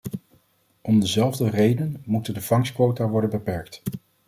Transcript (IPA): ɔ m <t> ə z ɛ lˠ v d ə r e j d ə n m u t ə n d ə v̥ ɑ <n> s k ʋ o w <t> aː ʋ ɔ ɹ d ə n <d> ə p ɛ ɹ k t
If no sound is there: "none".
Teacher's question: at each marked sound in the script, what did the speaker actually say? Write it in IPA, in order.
d, ŋ, t, b

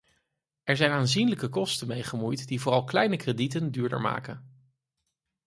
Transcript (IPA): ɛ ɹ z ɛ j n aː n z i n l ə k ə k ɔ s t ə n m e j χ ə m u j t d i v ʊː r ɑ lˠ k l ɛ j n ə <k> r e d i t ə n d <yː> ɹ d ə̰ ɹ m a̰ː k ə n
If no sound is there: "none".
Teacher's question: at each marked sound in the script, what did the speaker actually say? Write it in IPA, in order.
k, yː

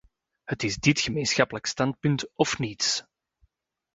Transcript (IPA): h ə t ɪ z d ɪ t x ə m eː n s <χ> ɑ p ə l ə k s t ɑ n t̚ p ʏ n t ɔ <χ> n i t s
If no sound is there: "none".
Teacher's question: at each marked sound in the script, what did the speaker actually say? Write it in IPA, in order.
x, f

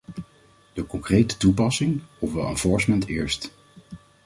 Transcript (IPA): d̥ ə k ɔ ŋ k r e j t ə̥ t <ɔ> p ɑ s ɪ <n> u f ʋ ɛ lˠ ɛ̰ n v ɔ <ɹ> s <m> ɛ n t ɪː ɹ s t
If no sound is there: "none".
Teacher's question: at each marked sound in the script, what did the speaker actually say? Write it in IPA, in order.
u, ŋ, ɹ, m

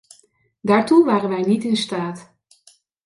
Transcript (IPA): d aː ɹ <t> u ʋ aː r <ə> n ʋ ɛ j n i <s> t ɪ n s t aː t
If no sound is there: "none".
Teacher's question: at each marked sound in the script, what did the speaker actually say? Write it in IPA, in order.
t, ə, none

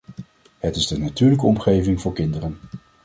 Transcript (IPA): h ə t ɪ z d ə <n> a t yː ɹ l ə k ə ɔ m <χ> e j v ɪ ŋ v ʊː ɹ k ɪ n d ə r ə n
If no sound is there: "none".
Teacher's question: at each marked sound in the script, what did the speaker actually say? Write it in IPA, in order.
n, χ

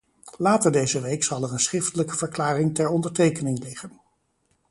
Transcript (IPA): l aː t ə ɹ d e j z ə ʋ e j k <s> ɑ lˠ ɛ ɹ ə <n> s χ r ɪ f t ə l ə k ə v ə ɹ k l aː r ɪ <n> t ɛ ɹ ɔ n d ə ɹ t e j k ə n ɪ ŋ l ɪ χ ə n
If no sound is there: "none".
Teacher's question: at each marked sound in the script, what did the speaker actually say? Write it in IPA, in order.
s, n, ŋ

